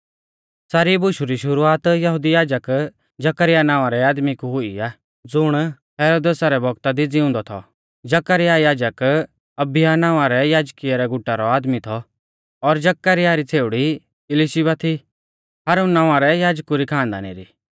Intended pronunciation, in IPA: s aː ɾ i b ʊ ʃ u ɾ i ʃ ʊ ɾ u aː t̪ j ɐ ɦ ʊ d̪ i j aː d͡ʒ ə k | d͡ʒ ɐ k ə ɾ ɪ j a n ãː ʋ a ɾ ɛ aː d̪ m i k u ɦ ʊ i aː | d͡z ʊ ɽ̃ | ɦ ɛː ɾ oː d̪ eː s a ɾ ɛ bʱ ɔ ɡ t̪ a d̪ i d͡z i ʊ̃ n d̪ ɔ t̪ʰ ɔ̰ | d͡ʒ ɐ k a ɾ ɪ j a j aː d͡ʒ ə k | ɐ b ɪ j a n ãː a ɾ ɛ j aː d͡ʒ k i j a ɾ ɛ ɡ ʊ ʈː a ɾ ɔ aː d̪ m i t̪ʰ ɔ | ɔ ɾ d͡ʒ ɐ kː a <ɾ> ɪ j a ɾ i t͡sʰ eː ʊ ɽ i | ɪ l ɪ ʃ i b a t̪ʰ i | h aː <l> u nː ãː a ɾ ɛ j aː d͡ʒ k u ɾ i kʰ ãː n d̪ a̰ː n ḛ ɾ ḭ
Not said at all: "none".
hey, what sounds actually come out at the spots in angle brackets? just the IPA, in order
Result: ɾ, ɾ

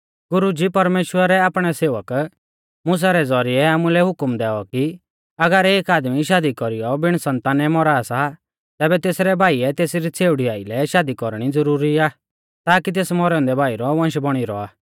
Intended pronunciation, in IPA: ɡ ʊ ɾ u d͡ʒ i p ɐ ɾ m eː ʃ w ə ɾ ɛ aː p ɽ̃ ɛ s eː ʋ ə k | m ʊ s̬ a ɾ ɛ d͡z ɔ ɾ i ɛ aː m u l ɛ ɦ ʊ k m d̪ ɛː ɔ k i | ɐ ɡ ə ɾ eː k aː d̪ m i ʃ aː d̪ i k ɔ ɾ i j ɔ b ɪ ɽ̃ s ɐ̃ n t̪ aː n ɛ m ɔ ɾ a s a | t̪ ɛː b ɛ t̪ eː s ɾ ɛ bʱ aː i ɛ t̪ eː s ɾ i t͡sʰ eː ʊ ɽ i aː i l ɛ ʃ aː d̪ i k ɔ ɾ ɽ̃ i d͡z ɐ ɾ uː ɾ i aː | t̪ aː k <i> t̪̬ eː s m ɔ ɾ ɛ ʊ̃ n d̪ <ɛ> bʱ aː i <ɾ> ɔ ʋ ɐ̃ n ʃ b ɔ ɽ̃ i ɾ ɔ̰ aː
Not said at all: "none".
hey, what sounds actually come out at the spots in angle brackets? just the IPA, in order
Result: i, ɛ, ɾ

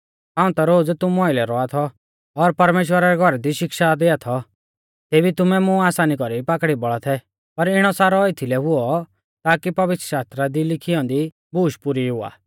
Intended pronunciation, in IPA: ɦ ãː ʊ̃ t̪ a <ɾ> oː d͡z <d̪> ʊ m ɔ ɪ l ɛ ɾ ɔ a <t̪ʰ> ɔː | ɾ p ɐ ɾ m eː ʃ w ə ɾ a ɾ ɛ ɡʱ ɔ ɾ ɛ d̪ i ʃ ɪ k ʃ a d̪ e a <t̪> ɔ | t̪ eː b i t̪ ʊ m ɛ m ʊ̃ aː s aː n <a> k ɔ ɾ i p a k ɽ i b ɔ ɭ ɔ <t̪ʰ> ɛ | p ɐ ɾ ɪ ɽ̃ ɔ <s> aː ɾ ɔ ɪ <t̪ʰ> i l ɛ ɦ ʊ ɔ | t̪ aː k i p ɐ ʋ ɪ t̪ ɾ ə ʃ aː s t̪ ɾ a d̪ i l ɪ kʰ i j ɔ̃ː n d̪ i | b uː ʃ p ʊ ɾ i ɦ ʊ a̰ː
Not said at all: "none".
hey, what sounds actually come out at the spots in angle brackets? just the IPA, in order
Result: ɾ, t̪, t̪ʰ, t̪ʰ, i, t̪ʰ, s, t̪ʰ

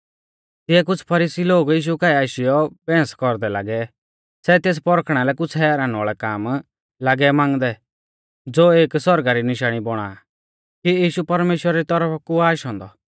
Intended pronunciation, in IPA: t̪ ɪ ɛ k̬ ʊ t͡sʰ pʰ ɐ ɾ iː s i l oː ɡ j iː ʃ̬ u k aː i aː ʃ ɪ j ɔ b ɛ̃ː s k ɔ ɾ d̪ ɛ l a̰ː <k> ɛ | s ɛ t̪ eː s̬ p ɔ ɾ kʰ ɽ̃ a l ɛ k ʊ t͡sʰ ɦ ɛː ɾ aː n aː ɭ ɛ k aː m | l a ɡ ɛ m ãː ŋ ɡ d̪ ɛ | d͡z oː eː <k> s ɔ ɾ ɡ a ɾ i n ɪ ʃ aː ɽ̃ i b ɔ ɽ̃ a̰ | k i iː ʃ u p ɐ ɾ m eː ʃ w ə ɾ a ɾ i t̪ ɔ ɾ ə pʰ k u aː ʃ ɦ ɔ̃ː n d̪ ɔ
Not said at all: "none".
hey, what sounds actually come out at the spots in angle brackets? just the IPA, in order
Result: ɡ, k

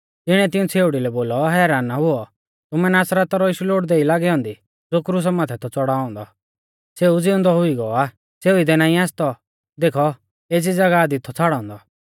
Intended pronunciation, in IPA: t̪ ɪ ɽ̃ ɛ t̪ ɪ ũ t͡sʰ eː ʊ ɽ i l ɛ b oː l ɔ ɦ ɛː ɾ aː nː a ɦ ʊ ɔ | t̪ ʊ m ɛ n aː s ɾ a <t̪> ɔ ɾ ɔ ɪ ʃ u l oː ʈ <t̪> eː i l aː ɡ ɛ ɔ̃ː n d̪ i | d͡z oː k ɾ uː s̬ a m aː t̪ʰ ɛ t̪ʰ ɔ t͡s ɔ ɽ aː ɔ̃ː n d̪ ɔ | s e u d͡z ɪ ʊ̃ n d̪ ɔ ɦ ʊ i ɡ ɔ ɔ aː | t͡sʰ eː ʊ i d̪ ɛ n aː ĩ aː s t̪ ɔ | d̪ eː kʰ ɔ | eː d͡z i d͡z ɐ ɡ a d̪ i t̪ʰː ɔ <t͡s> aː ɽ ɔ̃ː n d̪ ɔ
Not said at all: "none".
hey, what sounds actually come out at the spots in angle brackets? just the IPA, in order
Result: t̪, d̪, t͡sʰ

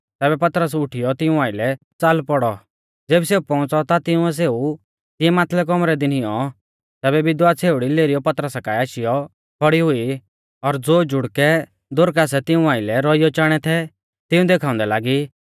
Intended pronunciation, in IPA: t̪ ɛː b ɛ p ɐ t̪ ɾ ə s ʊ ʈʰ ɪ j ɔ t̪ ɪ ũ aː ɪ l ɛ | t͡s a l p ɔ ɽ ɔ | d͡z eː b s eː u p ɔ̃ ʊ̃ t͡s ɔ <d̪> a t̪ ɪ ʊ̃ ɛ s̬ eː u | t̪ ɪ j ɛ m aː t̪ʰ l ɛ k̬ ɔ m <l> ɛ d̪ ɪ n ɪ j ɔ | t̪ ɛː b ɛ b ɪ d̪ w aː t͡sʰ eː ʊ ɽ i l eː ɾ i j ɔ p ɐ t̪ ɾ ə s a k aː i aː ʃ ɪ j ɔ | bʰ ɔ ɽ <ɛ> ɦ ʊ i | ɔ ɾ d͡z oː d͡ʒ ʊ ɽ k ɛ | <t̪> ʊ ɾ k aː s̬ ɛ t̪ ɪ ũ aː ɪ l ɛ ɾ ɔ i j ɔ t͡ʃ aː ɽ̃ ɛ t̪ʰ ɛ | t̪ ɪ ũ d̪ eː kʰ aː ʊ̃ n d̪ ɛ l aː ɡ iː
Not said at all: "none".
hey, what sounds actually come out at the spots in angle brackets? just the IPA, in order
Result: t̪, ɾ, i, d̪

